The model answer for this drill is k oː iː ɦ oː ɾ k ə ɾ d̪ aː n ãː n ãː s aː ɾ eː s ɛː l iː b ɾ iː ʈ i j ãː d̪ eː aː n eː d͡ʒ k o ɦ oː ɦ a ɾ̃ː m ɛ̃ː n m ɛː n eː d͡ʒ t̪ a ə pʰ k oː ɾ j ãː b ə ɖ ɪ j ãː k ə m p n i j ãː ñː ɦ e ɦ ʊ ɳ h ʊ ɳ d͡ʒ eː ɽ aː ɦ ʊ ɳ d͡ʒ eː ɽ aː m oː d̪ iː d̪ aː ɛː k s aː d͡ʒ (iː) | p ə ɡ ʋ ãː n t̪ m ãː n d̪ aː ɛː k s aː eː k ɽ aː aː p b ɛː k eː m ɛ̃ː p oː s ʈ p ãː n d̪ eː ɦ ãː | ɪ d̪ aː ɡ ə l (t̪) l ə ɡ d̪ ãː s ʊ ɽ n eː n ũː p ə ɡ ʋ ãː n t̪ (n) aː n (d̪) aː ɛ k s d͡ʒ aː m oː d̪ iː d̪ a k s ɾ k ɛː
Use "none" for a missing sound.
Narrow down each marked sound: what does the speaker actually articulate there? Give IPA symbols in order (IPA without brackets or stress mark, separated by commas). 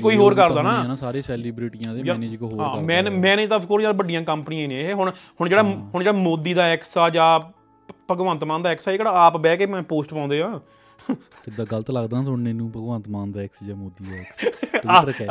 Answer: aː, t̪, m, d̪